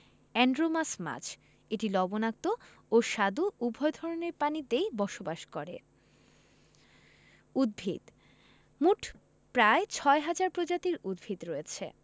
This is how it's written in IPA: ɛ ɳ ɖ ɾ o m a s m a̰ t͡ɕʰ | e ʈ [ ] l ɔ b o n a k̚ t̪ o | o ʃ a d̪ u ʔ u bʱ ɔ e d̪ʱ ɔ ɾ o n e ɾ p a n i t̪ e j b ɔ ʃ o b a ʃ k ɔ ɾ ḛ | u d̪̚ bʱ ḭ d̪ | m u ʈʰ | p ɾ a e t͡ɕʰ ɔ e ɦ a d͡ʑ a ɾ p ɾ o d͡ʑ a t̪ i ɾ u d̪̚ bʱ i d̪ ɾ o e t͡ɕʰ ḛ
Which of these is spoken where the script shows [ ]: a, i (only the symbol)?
i